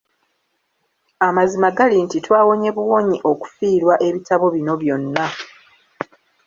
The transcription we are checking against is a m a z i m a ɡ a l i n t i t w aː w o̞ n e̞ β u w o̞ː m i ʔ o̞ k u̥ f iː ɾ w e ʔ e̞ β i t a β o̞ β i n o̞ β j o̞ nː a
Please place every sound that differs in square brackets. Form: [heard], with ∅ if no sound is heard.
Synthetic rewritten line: a m a z i m a ɡ a l i n t i t w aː w o̞ [ɲ] e̞ β u w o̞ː [ɲ] i ʔ o̞ k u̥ f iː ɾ w [a] ʔ e̞ β i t a β o̞ β i n o̞ β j o̞ nː a